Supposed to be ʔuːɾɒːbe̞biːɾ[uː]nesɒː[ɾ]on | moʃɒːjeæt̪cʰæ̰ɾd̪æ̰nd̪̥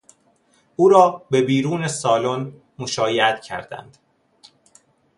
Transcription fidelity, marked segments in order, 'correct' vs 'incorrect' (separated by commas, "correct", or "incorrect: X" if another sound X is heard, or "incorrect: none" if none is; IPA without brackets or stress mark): correct, incorrect: l